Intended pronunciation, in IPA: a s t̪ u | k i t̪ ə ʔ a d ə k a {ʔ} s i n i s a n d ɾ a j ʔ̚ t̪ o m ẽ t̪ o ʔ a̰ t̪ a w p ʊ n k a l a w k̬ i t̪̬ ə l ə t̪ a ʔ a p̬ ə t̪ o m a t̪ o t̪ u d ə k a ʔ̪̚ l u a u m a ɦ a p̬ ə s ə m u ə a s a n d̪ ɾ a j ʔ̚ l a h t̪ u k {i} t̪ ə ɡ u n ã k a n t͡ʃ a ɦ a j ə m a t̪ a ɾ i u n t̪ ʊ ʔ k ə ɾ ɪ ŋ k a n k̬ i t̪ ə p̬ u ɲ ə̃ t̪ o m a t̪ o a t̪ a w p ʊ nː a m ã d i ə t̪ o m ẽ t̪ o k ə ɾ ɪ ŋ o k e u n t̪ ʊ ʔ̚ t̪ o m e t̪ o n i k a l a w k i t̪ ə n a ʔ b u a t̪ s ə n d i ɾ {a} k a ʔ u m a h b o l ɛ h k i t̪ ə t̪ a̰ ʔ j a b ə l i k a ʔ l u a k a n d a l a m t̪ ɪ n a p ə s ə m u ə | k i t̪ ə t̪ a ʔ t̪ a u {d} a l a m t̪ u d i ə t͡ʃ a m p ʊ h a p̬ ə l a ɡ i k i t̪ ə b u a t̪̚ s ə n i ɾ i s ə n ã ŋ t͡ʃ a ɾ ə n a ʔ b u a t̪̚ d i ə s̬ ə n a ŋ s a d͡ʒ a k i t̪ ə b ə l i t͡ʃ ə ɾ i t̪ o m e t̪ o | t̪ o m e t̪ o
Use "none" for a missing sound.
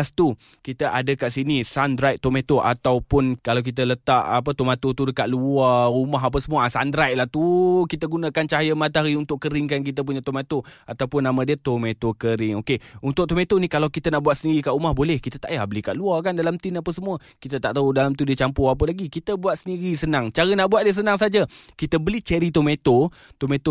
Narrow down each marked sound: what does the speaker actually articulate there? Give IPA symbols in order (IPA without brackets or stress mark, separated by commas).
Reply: ʔ, i, i, d